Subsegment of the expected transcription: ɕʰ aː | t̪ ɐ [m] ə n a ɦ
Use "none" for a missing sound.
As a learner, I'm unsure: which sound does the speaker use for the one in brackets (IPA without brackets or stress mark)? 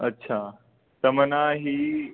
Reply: m